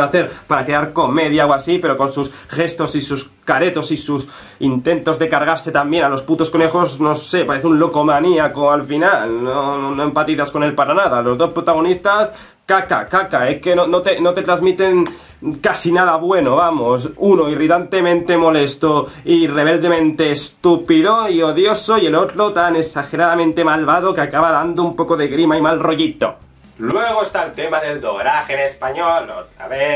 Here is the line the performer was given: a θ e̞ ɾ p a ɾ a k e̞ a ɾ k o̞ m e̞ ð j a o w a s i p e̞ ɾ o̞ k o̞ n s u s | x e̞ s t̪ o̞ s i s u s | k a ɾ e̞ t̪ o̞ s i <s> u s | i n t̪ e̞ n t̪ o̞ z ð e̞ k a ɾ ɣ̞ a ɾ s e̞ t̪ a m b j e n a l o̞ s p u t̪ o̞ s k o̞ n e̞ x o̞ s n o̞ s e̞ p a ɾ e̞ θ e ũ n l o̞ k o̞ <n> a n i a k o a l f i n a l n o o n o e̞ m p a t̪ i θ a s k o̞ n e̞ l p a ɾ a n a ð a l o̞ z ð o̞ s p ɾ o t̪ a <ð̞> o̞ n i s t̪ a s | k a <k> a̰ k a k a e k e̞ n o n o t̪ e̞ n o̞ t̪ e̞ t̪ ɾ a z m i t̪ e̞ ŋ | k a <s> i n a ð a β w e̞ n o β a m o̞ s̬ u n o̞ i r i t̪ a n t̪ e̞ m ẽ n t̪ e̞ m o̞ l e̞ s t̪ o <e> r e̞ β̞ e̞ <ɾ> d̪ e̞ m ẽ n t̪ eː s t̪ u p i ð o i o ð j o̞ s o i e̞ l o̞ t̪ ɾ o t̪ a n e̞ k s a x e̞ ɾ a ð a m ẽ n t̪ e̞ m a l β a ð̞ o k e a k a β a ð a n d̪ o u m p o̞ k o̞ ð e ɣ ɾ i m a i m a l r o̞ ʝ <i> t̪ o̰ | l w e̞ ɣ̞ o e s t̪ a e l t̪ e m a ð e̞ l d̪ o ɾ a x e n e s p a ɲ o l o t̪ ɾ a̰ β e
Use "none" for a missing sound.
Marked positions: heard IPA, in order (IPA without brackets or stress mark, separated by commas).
s, m, ɣ̞, k, s, i, l, i